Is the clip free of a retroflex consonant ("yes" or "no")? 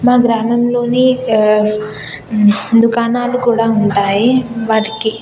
no